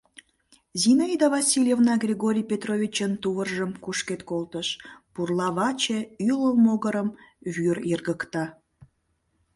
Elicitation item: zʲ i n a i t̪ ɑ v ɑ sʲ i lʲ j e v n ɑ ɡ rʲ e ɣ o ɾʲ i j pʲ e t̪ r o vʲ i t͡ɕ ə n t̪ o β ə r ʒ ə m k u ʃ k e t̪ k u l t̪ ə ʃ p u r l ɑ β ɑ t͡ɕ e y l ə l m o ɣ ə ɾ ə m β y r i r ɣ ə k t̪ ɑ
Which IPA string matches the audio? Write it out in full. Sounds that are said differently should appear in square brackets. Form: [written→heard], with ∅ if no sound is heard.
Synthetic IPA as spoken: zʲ i n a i [t̪→d̪] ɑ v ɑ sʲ i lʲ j e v n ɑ ɡ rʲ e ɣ o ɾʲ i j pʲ e t̪ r o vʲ i t͡ɕ ə n t̪ [o→u] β ə r ʒ ə m k u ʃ k e t̪ k [u→o] l t̪ ə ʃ p u r l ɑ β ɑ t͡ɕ e y l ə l m o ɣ ə ɾ ə m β y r i r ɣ ə k t̪ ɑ